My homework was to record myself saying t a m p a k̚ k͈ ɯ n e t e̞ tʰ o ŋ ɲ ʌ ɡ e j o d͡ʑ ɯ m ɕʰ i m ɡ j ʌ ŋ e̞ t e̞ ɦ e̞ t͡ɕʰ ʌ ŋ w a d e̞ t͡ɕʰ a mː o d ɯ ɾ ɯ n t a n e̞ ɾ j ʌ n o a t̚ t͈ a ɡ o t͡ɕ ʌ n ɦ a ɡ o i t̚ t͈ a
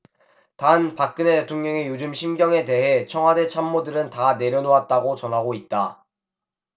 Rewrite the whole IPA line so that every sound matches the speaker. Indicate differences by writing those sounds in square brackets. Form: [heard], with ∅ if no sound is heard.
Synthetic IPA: t a [n] p a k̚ k͈ ɯ n e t e̞ tʰ o ŋ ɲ ʌ [ŋ] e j o d͡ʑ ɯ m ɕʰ i m ɡ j ʌ ŋ e̞ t e̞ ɦ e̞ t͡ɕʰ ʌ ŋ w a d e̞ t͡ɕʰ a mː o d ɯ ɾ ɯ n t a n e̞ ɾ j ʌ n o a t̚ t͈ a ɡ o t͡ɕ ʌ n ɦ a ɡ o i t̚ t͈ a